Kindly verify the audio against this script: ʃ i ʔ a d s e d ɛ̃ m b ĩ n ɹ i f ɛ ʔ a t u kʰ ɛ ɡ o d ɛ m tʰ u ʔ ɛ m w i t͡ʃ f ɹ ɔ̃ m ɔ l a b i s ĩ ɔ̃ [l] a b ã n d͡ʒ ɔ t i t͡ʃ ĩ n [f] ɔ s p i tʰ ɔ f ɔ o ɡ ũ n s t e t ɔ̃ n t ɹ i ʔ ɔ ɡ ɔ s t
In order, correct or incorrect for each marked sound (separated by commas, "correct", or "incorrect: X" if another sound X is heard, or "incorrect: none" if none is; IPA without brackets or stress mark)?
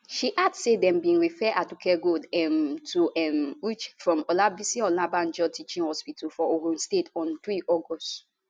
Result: correct, incorrect: h